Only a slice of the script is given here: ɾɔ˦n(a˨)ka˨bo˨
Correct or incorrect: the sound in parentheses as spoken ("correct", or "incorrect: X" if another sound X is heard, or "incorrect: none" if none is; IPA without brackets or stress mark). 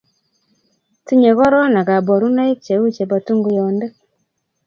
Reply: correct